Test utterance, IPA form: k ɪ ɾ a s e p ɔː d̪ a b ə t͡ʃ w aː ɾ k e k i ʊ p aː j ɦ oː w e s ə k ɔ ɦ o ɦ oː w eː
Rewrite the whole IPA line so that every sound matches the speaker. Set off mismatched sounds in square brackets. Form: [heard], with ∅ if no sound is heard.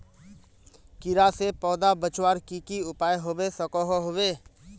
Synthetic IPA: k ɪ ɾ a s e p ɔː d̪ a b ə t͡ʃ w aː ɾ k [i] k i ʊ p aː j ɦ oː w e s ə k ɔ ɦ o ɦ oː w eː